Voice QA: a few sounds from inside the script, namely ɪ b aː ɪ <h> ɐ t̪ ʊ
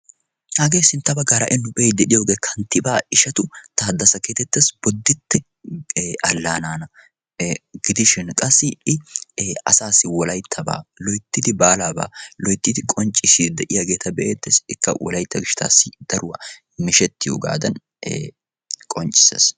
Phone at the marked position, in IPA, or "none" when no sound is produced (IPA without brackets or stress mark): ʃ